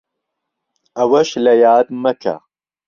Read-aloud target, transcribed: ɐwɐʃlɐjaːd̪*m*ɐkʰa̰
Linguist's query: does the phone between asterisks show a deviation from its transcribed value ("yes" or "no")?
no